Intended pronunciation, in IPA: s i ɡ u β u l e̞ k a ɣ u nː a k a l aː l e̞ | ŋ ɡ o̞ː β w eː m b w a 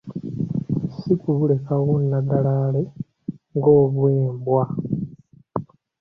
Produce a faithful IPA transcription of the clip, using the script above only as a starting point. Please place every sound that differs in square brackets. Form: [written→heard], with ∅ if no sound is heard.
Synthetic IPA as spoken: s i [ɡ→k] u β u l e̞ k a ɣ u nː a [k→ɡ] a l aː l e̞ | ŋ ɡ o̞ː β w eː m b w a